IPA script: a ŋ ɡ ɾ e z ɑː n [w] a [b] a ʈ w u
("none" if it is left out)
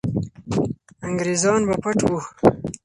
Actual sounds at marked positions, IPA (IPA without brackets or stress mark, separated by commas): b, p